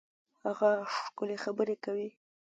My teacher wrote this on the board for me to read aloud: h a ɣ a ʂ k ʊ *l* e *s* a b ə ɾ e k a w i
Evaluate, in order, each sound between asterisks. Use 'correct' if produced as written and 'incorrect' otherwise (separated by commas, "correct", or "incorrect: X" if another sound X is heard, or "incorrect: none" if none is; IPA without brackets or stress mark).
correct, incorrect: x